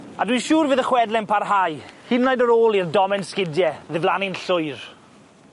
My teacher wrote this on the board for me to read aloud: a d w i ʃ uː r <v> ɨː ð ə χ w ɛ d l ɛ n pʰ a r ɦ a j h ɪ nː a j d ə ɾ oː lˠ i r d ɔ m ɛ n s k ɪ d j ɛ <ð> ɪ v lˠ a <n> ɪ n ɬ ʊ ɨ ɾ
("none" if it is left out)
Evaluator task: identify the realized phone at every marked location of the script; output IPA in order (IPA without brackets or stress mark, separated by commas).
v, ð, n